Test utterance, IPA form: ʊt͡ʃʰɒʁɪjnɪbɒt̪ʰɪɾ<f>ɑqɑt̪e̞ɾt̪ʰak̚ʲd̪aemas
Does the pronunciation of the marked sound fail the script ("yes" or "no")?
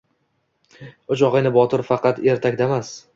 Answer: no